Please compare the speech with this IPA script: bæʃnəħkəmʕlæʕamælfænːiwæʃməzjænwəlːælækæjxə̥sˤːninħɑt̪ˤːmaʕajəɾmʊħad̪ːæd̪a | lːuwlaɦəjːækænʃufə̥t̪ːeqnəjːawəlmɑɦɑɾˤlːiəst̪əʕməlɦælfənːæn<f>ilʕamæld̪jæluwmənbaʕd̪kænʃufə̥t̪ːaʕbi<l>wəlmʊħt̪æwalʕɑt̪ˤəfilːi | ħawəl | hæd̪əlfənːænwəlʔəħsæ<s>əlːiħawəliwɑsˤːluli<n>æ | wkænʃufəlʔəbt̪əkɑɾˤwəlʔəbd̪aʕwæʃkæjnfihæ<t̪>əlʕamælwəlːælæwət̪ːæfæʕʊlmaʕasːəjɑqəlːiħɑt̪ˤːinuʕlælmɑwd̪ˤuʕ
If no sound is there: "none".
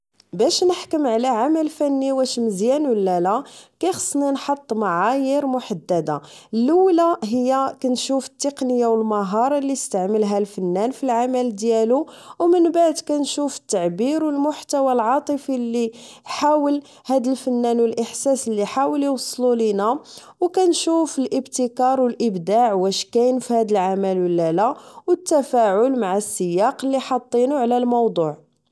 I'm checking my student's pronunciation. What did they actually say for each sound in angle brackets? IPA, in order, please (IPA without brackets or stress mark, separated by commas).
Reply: f, ɾ, s, n, d̪